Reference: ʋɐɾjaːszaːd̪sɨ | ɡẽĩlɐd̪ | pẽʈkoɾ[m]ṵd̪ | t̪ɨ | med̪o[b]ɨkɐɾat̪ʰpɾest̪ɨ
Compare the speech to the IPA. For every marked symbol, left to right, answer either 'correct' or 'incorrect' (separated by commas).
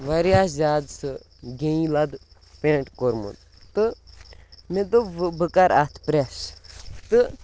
correct, correct